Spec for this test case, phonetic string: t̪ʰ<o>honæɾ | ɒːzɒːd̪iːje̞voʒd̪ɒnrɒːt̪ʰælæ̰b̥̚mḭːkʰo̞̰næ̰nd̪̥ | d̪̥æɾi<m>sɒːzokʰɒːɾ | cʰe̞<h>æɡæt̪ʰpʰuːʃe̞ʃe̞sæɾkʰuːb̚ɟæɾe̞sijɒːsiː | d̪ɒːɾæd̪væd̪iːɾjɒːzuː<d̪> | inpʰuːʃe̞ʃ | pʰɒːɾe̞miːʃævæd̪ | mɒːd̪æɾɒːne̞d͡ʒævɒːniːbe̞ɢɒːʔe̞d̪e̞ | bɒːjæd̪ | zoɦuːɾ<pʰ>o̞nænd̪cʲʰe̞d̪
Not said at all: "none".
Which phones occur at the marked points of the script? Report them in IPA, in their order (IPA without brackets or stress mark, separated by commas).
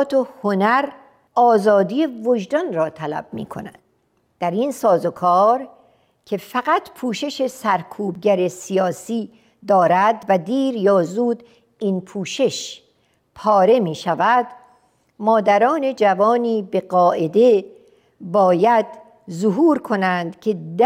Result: o, n, f, d̪, kʰ